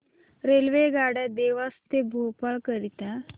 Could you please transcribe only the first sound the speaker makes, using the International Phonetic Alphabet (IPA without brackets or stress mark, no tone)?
ɾ